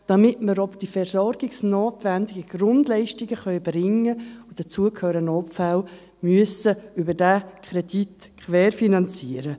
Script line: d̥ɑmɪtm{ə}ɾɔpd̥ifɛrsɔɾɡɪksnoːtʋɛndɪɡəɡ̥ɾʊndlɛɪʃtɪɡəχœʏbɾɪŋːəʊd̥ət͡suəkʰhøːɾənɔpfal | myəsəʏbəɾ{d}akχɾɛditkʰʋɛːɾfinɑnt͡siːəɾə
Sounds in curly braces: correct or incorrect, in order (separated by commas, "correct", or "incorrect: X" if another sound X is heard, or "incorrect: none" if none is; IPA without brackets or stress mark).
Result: correct, correct